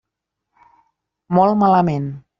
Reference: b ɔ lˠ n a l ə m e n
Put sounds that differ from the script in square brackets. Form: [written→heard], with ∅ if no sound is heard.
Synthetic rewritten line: [b→m] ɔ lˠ [n→m] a l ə m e n